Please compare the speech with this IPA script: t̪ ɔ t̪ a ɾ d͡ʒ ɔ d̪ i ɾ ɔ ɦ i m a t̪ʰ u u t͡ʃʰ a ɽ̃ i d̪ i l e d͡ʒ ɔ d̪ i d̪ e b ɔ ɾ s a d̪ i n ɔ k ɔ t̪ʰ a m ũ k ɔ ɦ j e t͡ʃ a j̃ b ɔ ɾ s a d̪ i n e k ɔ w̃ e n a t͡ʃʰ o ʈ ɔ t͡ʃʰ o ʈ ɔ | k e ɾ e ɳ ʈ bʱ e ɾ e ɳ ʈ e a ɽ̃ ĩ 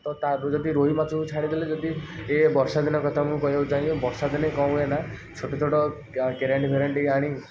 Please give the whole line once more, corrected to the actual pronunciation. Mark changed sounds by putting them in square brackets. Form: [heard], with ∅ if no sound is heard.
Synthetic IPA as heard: t̪ ɔ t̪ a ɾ d͡ʒ ɔ d̪ i ɾ [o] ɦ i m a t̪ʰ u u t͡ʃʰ a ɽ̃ i d̪ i l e d͡ʒ ɔ d̪ i [∅] e b ɔ ɾ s a d̪ i n ɔ k ɔ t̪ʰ a m ũ k ɔ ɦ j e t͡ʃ a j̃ b ɔ ɾ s a d̪ i n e k ɔ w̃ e n a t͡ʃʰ o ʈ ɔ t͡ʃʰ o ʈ ɔ | k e ɾ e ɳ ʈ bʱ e ɾ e ɳ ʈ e a ɽ̃ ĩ

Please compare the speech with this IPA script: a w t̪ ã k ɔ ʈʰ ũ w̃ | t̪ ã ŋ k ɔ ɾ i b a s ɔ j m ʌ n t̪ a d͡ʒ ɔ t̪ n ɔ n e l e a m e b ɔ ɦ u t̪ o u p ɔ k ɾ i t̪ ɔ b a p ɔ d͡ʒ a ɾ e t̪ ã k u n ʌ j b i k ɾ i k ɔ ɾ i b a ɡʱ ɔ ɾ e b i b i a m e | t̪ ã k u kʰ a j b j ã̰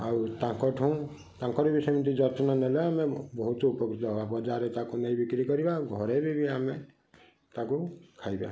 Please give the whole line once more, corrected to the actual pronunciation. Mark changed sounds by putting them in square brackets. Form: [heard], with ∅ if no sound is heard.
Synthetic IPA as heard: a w t̪ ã k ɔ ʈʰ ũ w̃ | t̪ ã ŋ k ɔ ɾ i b [i] s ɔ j m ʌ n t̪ [i] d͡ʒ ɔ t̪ n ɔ n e l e a m e b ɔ ɦ u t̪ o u p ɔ k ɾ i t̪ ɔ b a [b] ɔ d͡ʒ a ɾ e t̪ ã k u n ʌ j b i k ɾ i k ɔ ɾ i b a ɡʱ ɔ ɾ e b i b i a m e | t̪ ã k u kʰ a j b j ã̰

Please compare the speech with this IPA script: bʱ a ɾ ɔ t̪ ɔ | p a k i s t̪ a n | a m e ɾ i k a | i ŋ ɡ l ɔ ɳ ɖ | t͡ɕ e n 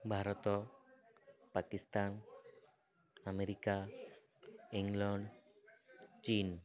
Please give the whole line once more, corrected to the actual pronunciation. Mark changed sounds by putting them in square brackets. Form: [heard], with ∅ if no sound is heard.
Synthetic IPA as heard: bʱ a ɾ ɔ t̪ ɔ | p a k i s t̪ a n | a m e ɾ i k a | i ŋ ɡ l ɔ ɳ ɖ | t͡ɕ [i] n

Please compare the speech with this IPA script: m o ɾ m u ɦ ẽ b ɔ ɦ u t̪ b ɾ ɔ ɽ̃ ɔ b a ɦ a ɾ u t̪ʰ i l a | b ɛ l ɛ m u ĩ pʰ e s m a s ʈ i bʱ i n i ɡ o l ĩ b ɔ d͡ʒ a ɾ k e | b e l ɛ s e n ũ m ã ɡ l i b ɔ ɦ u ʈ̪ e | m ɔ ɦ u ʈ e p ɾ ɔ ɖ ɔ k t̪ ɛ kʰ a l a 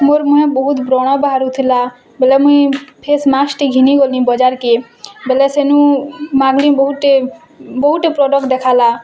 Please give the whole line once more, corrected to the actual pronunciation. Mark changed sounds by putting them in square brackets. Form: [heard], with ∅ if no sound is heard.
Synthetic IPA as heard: m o ɾ m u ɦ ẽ b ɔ ɦ u t̪ b ɾ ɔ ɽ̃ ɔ b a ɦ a ɾ u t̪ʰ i l a | b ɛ l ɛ m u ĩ pʰ e s m a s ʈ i [ɡʱ] i n i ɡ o l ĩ b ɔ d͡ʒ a ɾ k e | b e l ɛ s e n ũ m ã ɡ l i b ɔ ɦ u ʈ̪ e | [b] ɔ ɦ u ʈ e p ɾ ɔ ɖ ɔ k [d̪] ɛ kʰ a l a

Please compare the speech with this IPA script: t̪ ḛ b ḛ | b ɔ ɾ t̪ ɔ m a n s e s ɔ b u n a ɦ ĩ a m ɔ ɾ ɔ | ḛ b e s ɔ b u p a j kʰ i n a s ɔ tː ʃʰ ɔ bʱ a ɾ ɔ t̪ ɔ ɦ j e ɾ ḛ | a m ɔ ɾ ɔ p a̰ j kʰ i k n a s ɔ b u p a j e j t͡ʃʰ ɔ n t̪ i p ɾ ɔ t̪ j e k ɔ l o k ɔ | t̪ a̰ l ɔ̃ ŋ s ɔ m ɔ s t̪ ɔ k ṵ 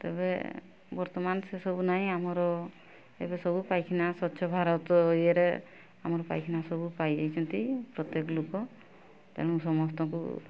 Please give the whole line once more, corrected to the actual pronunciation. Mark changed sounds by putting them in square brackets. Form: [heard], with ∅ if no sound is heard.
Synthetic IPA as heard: t̪ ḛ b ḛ | b ɔ ɾ t̪ ɔ m a n s e s ɔ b u n a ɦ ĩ a m ɔ ɾ ɔ | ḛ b e s ɔ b u p a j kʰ i n a s ɔ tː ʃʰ ɔ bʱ a ɾ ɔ t̪ ɔ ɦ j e ɾ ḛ | a m ɔ ɾ ɔ p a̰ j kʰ i [∅] n a s ɔ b u p a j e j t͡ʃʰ ɔ n t̪ i p ɾ ɔ t̪ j e k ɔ l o k ɔ | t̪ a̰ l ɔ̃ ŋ s ɔ m ɔ s t̪ ɔ k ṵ

